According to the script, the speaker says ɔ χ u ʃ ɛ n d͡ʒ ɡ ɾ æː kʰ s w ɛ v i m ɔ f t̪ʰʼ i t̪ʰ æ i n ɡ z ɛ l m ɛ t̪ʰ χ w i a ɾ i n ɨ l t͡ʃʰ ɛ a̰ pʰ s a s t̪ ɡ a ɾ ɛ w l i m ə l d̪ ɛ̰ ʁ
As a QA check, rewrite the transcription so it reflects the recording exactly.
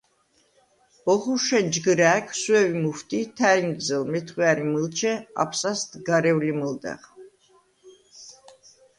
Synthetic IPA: ɔ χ u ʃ ɛ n d͡ʒ ɡ ɾ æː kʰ s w ɛ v i m u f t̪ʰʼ i t̪ʰ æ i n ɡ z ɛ l m ɛ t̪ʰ χ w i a ɾ i m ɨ l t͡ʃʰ ɛ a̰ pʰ s a s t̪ ɡ a ɾ ɛ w l i m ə l d̪ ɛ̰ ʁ